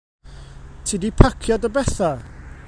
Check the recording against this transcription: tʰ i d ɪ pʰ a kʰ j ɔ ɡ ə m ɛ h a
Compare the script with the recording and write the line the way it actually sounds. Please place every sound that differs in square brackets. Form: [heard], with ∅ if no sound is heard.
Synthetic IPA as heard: tʰ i d [i] pʰ a kʰ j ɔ [d] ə [b] ɛ [θ] a